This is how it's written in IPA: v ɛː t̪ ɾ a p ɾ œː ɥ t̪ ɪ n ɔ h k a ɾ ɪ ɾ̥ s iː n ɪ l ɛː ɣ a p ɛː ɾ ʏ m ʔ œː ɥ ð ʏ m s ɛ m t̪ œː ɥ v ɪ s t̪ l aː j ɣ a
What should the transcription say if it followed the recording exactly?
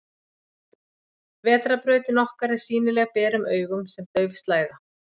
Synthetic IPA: v ɛː t̪ ɾ a p ɾ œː ɥ t̪ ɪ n ɔ h k a ɾ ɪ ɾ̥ s iː n ɪ l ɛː ɣ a p ɛː ɾ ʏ m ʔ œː ɥ ɣ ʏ m s ɛ m t̪ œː ɥ v ɪ s t̪ l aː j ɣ a